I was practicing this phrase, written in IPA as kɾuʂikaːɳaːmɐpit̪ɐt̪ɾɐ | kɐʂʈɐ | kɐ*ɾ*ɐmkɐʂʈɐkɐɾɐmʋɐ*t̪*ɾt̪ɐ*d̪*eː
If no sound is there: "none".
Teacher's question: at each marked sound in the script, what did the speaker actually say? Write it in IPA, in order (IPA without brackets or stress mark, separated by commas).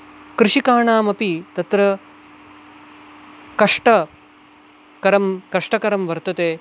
ɾ, none, t̪